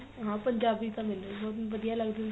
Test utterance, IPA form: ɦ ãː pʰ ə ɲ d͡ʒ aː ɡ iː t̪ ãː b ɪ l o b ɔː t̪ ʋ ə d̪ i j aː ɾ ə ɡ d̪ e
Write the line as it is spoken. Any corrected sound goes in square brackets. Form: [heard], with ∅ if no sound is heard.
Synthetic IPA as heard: ɦ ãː [p] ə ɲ d͡ʒ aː [b] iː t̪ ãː [m] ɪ l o b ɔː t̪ ʋ ə d̪ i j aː [l] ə ɡ d̪ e